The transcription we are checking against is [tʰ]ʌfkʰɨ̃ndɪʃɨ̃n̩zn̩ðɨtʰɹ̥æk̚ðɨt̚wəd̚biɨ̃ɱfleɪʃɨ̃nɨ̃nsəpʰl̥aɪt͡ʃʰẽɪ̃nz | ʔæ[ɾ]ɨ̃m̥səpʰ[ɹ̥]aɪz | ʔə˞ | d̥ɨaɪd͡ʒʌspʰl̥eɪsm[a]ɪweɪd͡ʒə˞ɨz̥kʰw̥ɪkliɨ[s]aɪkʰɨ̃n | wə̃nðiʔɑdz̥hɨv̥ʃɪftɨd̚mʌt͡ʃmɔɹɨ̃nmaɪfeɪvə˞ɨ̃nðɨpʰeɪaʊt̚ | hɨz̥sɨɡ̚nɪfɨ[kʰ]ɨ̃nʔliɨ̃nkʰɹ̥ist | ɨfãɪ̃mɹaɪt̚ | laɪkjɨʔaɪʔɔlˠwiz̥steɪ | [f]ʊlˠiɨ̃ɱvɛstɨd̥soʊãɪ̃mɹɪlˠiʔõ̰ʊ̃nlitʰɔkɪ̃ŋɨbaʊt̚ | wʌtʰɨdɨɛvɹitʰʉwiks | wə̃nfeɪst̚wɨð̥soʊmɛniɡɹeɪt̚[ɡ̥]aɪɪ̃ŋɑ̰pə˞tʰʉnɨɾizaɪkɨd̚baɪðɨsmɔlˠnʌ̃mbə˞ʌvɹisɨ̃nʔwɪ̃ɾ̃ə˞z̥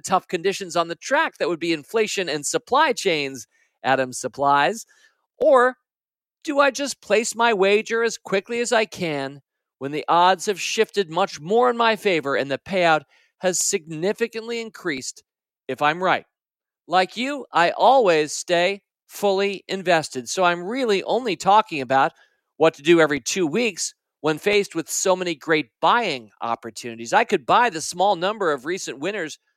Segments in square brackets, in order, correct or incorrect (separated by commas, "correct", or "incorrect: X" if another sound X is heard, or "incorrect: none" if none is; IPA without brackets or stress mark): correct, correct, incorrect: l̥, correct, incorrect: z, incorrect: k, correct, incorrect: b̥